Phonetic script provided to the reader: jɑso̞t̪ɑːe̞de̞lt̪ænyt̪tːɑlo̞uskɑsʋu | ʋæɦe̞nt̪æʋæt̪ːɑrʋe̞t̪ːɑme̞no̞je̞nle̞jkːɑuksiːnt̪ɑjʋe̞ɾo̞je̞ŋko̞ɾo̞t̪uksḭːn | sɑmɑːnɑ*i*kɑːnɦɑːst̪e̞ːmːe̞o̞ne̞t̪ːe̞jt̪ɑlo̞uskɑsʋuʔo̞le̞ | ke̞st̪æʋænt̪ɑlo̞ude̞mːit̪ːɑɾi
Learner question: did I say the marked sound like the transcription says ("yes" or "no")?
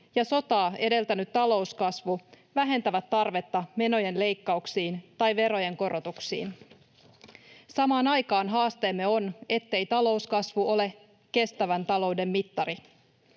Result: no